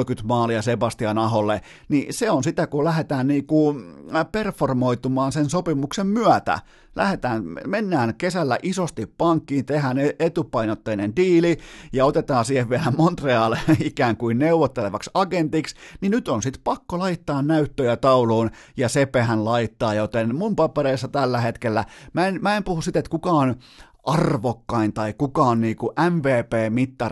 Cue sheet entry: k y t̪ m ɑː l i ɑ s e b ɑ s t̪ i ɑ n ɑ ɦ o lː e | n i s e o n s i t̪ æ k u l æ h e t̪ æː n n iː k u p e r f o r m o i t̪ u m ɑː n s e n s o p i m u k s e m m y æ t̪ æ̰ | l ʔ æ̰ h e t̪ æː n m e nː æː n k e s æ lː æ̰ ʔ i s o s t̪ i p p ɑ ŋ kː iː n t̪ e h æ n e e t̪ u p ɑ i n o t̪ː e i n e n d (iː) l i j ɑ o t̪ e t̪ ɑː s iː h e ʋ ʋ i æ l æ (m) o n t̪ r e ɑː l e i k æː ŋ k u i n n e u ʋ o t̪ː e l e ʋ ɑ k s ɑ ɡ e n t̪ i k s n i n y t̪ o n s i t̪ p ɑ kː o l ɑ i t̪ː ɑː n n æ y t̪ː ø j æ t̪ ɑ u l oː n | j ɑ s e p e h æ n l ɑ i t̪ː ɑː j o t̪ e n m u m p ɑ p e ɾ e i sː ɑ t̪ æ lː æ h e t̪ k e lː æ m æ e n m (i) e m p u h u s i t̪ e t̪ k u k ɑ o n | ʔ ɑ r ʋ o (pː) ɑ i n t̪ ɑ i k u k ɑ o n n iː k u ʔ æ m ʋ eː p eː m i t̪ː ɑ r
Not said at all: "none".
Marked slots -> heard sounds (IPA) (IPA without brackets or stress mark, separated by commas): iː, m, æ, kː